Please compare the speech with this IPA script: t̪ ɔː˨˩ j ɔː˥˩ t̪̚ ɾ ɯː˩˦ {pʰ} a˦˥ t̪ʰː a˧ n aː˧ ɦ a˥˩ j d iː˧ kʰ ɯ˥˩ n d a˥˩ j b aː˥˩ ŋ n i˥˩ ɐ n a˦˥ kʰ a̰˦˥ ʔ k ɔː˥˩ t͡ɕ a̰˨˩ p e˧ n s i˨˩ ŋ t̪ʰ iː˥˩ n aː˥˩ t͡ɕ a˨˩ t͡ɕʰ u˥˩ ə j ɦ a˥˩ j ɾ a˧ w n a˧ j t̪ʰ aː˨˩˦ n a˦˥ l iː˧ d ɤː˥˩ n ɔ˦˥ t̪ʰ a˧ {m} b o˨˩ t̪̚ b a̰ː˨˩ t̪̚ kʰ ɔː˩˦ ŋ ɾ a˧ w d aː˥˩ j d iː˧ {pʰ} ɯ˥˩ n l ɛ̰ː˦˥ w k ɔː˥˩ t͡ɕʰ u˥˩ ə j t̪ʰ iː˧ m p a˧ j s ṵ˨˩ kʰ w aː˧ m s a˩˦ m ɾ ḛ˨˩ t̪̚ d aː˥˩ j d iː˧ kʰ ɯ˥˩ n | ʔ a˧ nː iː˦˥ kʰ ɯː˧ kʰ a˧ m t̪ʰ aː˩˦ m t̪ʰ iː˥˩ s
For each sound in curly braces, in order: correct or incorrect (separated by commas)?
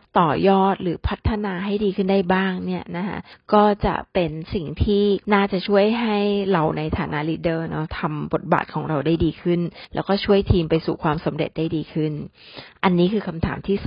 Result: correct, correct, incorrect